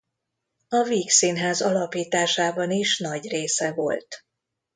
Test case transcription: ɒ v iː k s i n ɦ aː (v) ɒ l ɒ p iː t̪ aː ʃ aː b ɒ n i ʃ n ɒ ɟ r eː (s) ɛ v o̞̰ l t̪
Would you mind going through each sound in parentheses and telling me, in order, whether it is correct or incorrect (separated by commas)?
incorrect, correct